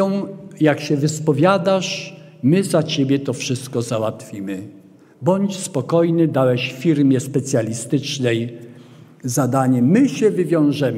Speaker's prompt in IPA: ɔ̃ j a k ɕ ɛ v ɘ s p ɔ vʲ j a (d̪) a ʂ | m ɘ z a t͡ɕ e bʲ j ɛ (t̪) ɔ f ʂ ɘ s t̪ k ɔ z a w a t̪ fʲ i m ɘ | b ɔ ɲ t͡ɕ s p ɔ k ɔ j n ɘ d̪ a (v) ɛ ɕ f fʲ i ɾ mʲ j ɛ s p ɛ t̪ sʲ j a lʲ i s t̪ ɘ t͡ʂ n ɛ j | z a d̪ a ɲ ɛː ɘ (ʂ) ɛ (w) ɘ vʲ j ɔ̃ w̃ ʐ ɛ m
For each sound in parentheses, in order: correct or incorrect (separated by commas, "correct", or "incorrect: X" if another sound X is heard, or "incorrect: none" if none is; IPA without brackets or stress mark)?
correct, correct, incorrect: w, incorrect: ɕ, incorrect: v